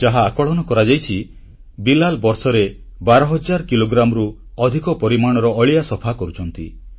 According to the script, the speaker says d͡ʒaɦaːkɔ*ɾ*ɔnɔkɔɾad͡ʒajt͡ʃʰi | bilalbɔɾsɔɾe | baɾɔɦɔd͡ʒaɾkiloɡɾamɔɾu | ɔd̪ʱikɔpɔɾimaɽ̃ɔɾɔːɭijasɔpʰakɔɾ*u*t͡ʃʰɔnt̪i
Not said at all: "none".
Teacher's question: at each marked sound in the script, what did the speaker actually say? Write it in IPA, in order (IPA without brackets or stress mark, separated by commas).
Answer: ɭ, u